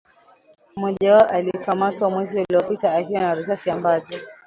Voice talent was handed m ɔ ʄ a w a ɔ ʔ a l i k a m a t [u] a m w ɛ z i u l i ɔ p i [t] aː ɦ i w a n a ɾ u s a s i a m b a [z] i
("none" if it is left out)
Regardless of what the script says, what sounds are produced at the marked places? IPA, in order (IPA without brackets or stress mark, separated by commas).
w, t, z